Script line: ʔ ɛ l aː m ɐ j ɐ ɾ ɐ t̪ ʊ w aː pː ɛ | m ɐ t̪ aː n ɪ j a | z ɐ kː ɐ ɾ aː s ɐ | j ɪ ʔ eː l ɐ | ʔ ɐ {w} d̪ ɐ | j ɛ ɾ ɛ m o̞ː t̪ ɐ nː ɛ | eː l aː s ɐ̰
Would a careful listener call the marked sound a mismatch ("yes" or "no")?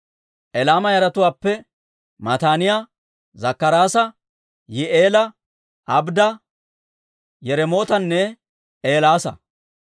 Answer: yes